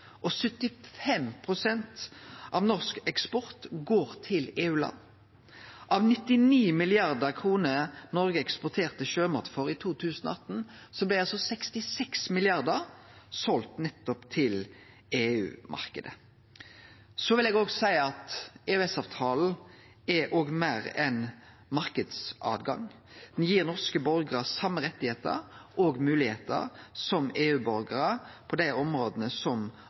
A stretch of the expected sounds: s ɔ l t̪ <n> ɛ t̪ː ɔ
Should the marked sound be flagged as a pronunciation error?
no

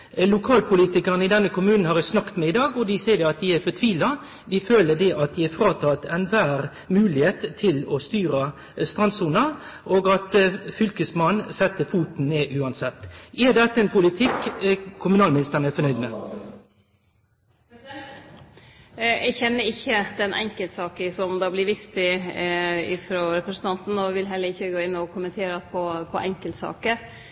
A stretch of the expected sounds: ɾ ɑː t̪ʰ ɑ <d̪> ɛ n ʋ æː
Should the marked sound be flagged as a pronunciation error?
yes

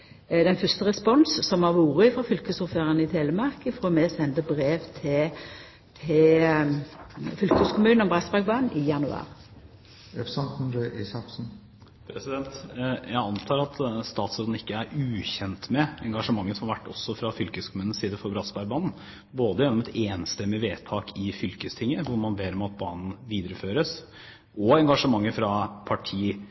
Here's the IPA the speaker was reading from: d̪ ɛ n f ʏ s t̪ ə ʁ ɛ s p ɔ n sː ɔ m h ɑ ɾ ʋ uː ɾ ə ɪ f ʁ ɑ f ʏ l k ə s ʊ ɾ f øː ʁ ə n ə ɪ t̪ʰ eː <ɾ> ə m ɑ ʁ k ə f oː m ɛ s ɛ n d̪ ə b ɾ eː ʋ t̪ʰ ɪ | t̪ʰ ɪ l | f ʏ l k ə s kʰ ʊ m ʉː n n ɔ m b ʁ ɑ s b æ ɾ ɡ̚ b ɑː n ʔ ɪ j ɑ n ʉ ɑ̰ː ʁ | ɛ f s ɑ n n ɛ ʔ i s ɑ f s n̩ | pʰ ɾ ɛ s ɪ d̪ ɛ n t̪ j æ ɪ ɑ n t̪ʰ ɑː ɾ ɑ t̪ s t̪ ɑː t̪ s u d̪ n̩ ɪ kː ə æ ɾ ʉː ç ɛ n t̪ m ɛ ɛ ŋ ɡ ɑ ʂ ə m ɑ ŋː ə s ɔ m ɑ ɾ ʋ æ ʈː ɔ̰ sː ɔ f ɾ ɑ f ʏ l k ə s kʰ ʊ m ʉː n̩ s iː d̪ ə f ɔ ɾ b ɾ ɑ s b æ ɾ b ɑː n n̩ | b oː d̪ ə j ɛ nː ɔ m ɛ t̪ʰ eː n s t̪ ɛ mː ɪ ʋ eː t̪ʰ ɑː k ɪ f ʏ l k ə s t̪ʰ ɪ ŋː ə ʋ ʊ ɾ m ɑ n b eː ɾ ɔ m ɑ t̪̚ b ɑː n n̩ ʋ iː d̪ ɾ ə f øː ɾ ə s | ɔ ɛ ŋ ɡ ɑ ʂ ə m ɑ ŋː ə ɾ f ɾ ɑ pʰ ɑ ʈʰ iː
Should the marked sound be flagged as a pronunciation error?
yes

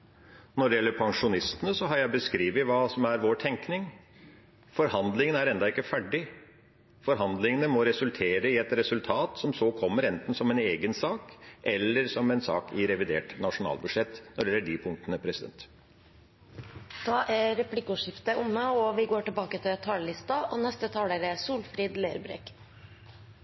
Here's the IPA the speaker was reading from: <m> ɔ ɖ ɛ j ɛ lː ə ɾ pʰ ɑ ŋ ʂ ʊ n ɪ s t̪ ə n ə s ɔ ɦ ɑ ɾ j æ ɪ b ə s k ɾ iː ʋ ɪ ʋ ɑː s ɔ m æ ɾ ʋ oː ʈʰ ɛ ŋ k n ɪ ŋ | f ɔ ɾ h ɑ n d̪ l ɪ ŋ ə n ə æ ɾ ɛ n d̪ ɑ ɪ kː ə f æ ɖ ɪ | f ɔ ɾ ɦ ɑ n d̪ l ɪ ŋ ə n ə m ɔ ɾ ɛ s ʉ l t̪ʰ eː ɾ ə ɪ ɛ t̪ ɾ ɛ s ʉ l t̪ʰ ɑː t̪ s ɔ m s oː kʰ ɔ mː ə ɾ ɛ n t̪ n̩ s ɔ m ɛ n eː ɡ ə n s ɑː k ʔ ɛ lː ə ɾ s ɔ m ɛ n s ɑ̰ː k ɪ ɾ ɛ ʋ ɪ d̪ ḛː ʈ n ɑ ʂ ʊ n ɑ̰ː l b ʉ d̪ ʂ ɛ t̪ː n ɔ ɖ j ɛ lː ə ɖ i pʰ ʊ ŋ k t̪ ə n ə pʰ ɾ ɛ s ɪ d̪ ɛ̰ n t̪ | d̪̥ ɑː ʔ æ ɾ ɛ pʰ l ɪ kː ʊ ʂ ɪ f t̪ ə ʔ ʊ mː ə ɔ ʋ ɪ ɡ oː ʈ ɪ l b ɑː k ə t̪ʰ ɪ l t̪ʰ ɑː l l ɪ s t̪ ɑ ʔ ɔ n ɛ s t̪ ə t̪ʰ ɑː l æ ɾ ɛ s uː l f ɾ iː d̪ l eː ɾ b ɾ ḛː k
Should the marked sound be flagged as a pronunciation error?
yes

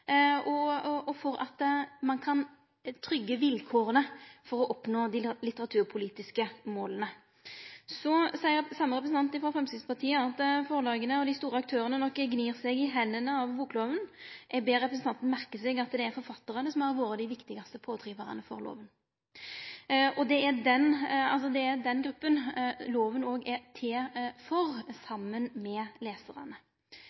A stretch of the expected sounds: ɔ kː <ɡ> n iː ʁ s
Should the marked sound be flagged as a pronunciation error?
no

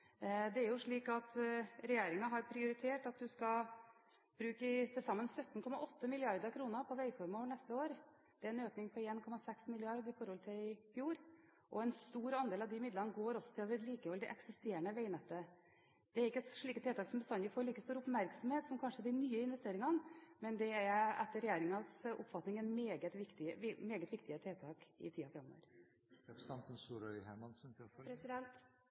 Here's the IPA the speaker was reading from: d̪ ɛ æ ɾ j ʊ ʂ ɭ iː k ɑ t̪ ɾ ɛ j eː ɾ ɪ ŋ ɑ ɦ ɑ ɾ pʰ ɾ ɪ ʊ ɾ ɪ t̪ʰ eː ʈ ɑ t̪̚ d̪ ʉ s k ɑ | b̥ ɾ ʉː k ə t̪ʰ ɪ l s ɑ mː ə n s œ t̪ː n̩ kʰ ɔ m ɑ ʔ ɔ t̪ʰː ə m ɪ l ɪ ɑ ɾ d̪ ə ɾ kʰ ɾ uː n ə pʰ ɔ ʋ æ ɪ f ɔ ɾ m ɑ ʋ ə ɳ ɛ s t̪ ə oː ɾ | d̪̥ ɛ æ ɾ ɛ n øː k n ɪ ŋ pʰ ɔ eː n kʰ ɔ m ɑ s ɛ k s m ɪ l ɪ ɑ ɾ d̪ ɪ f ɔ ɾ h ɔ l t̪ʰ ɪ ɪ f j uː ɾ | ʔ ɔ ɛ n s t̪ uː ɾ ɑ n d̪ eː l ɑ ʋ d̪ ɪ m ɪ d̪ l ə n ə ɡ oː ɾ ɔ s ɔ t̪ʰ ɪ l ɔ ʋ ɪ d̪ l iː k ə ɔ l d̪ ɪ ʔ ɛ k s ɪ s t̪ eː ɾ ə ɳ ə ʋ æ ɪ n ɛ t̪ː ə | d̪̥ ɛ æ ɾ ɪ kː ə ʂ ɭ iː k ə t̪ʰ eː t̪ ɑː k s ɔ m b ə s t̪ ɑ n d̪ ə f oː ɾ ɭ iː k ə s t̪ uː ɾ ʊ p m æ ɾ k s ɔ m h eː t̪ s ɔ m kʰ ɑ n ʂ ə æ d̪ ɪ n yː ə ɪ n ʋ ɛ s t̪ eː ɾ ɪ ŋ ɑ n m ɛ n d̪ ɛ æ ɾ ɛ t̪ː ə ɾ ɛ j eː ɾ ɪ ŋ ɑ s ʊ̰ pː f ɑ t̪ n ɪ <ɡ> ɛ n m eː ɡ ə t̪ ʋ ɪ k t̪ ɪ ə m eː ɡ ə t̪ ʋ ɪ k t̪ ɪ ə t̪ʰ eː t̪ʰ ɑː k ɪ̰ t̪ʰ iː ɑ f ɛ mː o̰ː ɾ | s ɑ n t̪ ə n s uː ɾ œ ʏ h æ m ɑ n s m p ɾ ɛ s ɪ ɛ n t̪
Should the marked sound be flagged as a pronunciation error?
yes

